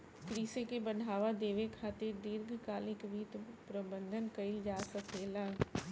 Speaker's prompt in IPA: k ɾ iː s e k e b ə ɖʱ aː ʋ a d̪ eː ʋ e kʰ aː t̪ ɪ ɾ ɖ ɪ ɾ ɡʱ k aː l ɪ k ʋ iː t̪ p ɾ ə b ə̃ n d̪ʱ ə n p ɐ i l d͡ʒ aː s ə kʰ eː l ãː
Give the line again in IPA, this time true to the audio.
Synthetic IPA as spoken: k ɾ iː s e k e b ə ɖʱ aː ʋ a d̪ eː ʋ e kʰ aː t̪ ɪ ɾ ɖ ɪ ɾ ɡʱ k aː l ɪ k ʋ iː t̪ p ɾ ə b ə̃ n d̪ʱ ə n k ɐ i l d͡ʒ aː s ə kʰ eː l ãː